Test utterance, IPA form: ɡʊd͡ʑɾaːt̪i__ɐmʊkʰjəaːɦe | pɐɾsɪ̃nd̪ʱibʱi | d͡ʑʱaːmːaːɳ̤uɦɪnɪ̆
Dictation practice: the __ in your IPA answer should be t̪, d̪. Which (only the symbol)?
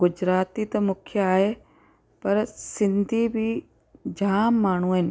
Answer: t̪